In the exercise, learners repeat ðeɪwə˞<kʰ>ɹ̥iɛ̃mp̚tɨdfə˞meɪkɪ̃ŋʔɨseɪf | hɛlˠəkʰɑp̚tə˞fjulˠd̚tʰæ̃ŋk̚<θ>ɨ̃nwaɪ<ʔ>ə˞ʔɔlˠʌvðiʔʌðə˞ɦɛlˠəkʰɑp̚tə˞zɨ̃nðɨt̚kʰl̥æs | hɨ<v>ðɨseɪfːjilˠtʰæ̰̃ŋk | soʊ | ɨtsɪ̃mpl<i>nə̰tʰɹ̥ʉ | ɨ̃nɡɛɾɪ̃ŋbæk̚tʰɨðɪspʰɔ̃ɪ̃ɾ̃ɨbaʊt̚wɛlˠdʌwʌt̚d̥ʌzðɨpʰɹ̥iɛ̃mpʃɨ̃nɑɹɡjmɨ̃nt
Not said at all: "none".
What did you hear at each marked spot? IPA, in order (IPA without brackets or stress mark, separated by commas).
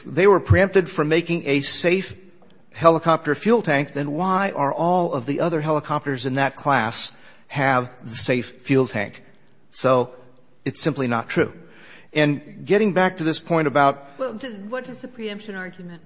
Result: pʰ, ð, ʔ, v, i